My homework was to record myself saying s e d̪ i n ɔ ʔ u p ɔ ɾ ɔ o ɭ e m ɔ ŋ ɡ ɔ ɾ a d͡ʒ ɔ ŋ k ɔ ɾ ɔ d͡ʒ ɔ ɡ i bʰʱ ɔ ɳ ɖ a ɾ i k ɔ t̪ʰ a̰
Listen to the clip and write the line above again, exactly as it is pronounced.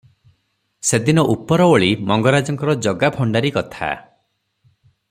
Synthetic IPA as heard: s e d̪ i n ɔ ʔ u p ɔ ɾ ɔ o ɭ i m ɔ ŋ ɡ ɔ ɾ a d͡ʒ ɔ ŋ k ɔ ɾ ɔ d͡ʒ ɔ ɡ a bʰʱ ɔ ɳ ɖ a ɾ i k ɔ t̪ʰ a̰